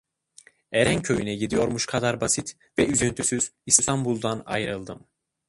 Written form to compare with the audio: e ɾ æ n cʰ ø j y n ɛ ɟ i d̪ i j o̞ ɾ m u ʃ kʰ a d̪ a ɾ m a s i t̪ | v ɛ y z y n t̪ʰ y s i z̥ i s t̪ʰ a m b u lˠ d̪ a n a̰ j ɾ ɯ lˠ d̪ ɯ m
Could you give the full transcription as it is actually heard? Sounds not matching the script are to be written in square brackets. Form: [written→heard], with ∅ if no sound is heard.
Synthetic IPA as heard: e ɾ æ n cʰ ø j y n ɛ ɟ i d̪ i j o̞ ɾ m u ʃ kʰ a d̪ a ɾ [m→b] a s i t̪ | v ɛ y z y n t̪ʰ y s [i→y] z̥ i s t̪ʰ a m b u lˠ d̪ a n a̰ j ɾ ɯ lˠ d̪ ɯ m